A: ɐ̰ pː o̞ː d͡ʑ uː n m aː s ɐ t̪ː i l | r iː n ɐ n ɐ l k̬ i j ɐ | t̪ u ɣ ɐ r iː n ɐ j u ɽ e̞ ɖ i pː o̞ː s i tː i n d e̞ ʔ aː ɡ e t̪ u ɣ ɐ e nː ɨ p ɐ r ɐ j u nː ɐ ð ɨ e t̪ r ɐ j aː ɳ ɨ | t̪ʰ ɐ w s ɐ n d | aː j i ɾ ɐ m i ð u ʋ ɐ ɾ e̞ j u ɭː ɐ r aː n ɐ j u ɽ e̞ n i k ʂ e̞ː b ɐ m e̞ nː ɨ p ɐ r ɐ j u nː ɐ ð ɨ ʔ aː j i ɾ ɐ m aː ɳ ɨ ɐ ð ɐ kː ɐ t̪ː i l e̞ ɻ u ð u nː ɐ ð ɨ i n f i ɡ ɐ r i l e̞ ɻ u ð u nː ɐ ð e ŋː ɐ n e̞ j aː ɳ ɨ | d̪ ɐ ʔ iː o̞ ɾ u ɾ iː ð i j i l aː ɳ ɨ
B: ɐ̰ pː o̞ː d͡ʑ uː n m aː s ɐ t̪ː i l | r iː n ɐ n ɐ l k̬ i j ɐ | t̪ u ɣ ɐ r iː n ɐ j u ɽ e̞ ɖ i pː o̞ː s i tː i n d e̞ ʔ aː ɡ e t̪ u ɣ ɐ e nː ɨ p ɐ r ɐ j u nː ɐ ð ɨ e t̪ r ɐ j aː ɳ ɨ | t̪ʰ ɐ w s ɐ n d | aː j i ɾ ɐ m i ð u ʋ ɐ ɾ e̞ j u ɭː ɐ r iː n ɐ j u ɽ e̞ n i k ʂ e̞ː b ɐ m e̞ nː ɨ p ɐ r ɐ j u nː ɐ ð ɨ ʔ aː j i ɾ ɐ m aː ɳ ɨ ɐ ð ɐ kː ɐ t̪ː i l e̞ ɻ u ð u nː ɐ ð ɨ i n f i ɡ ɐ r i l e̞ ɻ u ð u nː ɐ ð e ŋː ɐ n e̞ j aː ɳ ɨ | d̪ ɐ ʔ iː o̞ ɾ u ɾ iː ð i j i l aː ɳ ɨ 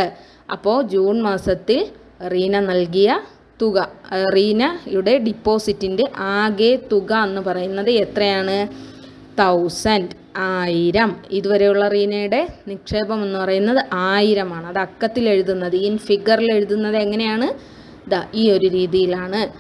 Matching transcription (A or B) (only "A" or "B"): B